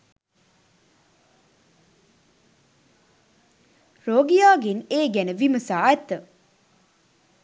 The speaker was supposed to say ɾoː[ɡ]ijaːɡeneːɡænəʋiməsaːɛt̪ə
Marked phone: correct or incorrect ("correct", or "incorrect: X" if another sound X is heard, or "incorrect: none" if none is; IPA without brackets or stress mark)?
correct